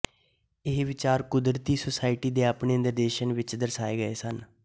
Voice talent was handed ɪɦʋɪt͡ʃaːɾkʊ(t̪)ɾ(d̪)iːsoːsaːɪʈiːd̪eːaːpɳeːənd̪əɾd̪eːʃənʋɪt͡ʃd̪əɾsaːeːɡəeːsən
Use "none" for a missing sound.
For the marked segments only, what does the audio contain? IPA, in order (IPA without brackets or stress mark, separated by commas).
d̪, t̪